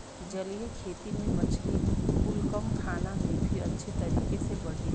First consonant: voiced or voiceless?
voiced